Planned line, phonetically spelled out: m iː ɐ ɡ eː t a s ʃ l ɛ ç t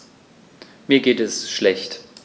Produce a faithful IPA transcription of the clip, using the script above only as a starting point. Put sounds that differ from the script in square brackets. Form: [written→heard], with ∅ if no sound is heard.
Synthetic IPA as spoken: m iː ɐ ɡ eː t [a→ɛ] s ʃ l ɛ ç t